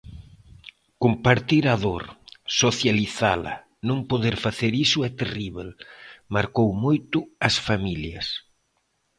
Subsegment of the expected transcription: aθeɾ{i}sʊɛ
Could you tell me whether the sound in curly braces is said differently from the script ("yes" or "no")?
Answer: no